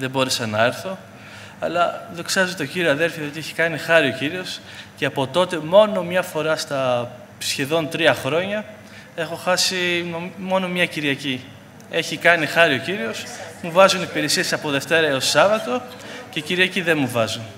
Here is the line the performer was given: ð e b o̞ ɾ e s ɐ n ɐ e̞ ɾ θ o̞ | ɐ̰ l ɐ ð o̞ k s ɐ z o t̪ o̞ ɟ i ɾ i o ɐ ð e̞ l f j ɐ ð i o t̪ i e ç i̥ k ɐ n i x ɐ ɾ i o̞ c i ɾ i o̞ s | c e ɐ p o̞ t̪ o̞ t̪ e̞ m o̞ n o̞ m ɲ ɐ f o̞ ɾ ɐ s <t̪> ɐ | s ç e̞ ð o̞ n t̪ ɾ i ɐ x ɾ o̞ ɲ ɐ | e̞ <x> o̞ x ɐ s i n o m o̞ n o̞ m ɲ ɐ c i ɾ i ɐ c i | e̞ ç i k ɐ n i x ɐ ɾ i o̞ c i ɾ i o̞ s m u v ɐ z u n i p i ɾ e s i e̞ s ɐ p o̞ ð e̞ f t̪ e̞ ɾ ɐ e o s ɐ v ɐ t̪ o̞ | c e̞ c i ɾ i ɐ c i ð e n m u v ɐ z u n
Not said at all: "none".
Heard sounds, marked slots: t̪, x

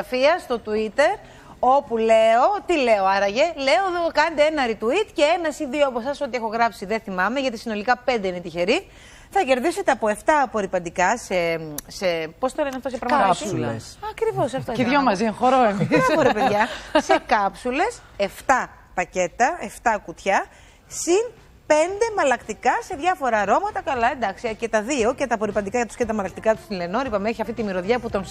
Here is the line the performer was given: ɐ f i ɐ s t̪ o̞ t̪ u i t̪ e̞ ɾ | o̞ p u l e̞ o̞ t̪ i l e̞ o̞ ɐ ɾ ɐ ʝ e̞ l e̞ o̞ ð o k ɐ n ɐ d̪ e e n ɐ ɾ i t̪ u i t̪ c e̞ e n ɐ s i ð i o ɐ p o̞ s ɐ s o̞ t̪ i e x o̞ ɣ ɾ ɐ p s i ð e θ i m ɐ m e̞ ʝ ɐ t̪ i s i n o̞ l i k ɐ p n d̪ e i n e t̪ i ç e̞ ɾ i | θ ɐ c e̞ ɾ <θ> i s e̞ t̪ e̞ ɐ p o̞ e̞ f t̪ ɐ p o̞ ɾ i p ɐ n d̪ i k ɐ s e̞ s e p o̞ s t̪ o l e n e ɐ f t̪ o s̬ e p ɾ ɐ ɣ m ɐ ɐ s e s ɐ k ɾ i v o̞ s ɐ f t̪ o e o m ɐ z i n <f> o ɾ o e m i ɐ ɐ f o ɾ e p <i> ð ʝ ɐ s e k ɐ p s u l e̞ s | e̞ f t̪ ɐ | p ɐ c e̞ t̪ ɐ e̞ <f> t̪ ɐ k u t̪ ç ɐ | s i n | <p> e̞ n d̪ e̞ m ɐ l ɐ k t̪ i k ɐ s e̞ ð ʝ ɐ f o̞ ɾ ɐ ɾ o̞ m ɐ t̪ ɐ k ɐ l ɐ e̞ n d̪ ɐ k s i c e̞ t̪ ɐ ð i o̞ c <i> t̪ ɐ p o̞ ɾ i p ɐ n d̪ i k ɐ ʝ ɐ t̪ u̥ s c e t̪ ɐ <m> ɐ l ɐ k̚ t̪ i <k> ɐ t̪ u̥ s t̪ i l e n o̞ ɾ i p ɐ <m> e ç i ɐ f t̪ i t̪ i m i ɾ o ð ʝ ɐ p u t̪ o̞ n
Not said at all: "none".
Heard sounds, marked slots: ð, x, e, f, p, e, m, k, m

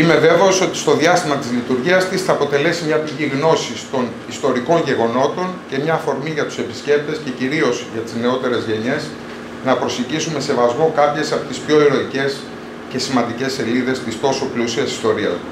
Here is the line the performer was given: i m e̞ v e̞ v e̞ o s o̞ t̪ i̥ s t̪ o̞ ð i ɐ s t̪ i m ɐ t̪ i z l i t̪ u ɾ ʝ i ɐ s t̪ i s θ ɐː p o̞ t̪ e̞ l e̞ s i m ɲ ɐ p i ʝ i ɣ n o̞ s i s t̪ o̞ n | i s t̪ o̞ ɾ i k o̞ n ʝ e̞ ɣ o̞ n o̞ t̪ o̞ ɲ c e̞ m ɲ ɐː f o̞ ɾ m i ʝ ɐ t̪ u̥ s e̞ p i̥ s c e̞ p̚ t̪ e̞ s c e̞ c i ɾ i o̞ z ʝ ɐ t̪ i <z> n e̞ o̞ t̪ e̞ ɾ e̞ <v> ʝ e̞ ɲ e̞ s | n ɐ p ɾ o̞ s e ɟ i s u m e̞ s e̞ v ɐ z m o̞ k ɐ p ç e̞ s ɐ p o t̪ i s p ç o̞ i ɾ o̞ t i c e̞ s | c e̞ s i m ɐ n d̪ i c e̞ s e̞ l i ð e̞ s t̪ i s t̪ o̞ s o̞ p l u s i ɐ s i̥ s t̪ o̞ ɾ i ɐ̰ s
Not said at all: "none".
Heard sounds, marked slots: z, z

